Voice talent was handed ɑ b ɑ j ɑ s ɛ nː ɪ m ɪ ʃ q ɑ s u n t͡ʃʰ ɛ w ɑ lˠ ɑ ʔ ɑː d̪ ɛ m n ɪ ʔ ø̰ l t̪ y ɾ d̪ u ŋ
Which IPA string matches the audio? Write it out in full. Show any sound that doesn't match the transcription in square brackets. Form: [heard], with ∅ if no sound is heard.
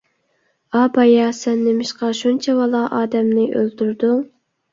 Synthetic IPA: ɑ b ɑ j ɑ s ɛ nː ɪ m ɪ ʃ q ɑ [ʃ] u n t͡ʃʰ ɛ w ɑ lˠ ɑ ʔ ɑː d̪ ɛ m n ɪ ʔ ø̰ l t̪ y ɾ d̪ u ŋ